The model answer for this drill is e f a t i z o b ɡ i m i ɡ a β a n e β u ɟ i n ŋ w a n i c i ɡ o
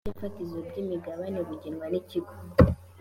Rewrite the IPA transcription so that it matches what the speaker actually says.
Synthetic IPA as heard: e f a t i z o b ɟ i m i ɡ a β a n e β u ɟ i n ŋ w a n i c i ɡ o